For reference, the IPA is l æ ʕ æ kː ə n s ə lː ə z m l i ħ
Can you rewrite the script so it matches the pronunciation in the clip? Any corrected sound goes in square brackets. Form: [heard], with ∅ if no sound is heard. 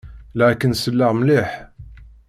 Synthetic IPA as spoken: l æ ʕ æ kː ə n s ə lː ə [ʁ] m l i ħ